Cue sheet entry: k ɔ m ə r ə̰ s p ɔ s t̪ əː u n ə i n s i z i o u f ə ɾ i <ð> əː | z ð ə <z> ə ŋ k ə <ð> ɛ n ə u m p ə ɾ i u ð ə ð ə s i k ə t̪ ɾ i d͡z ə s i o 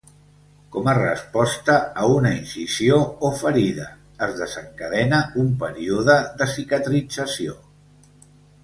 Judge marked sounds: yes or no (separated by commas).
yes, yes, yes